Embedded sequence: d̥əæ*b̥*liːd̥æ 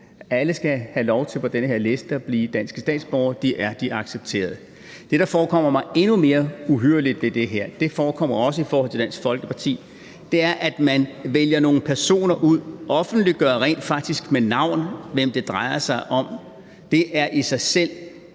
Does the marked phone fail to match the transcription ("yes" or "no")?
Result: no